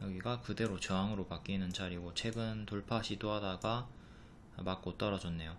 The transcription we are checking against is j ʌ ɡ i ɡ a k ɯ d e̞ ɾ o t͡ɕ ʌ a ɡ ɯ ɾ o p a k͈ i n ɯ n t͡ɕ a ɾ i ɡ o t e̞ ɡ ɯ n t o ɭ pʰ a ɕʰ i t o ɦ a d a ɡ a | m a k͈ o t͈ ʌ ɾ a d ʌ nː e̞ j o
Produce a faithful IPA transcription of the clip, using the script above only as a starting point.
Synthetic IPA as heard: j ʌ ɡ i ɡ a k ɯ d e̞ ɾ o t͡ɕ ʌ a ŋ ɯ ɾ o p a k͈ i n ɯ n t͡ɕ a ɾ i ɡ o t͡ɕʰ e̞ ɡ ɯ n t o ɭ pʰ a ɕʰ i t o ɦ a d a ɡ a | m a k͈ o t͈ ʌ ɾ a d͡ʑ ʌ nː e̞ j o